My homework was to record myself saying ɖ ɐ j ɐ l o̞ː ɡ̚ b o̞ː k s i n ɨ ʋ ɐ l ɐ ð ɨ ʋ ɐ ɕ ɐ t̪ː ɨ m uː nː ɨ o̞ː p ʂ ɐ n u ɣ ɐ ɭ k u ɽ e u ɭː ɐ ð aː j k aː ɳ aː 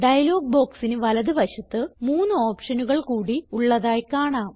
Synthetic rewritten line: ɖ ɐ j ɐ l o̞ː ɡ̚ b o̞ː k s i n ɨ ʋ ɐ l ɐ ð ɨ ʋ ɐ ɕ ɐ t̪ː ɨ m uː nː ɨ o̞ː p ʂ ɐ n u ɣ ɐ ɭ k uː ɽ i u ɭː ɐ ð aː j k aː ɳ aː